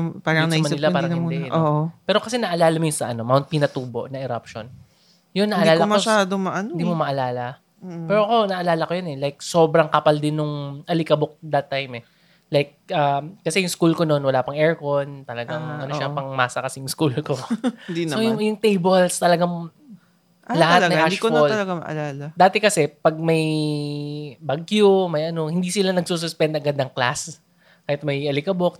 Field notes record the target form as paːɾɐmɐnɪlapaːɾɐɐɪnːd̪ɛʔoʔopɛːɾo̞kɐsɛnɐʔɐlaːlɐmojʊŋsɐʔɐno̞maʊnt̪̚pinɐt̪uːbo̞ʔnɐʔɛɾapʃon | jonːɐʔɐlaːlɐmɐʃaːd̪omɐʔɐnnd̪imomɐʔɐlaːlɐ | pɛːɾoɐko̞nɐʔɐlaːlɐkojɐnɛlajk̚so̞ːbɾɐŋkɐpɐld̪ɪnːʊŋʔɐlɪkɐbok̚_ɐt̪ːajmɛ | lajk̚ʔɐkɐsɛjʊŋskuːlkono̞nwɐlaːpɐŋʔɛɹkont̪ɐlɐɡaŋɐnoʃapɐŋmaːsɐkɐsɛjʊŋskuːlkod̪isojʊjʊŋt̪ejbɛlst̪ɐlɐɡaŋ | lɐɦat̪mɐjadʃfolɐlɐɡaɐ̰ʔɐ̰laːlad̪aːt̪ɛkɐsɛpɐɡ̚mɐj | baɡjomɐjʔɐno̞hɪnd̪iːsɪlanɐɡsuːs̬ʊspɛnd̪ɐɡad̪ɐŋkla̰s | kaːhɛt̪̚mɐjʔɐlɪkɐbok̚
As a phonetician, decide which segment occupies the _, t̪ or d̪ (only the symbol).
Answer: d̪